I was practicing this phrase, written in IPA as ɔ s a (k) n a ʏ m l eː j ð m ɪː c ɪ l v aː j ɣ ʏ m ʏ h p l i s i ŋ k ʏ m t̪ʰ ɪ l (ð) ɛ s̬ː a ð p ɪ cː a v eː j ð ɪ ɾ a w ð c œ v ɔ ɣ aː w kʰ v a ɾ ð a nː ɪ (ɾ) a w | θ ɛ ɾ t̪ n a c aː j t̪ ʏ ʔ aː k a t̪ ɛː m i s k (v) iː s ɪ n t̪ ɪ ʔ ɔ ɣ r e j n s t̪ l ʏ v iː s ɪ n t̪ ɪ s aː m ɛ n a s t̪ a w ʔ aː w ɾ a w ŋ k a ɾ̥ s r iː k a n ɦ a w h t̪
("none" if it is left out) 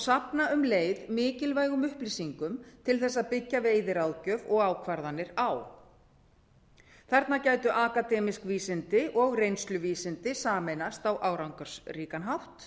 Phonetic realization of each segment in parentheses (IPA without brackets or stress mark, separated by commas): p, θ, ɾ, v